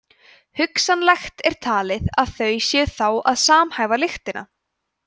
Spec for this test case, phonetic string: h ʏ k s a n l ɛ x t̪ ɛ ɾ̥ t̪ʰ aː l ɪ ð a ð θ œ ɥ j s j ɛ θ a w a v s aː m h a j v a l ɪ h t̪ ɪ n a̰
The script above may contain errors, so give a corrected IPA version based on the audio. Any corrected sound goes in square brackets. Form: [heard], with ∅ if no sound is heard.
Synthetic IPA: h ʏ k s a n l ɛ x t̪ ɛ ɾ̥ t̪ʰ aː l ɪ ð a ð θ œ ɥ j s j ɛ θ a w a [ð] s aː m h a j v a l ɪ [x] t̪ ɪ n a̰